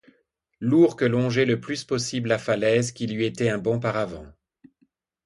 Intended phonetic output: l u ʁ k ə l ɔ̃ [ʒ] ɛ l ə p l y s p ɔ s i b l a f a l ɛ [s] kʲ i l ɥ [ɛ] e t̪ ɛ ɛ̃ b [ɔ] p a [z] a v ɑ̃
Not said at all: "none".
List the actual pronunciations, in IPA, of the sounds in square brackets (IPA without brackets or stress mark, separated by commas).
ʒ, z, i, ɔ̃, ʁ